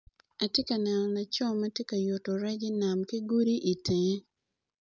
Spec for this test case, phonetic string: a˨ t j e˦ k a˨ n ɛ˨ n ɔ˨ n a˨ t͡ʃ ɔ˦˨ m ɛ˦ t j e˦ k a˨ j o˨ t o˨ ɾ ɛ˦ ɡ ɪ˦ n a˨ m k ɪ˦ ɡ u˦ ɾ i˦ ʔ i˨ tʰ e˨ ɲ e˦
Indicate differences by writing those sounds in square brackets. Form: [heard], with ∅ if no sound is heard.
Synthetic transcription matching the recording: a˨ t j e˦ k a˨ n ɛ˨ n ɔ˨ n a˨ t͡ʃ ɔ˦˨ m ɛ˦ t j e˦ k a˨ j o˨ t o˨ ɾ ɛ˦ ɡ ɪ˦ n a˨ m k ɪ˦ ɡ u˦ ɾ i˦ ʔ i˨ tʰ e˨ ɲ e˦